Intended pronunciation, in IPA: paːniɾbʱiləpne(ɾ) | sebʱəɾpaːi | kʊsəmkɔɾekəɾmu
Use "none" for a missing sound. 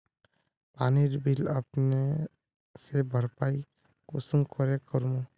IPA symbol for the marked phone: none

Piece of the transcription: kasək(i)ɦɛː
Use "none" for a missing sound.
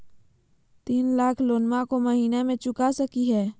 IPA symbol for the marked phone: i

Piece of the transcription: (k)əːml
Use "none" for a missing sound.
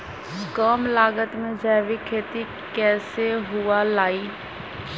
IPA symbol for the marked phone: k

